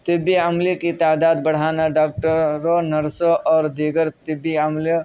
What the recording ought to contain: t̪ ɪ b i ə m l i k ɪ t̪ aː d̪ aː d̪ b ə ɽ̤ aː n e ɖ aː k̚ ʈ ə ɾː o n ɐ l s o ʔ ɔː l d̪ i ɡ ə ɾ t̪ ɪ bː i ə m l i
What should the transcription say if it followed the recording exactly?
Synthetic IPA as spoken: t̪ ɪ b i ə m l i k i t̪ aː d̪ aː d̪ b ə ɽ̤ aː n a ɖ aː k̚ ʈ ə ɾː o n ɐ ɾ s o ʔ ɔː ɾ d̪ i ɡ ə ɾ t̪ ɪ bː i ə m l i